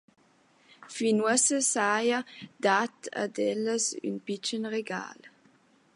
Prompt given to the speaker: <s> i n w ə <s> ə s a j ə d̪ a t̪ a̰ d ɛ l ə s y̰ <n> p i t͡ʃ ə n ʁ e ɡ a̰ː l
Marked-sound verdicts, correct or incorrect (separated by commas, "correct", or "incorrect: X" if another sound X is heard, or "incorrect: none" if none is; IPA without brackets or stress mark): incorrect: f, correct, correct